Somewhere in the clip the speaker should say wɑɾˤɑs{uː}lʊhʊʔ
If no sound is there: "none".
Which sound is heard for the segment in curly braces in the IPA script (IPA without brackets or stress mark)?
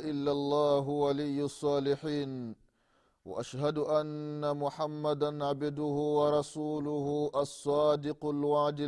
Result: uː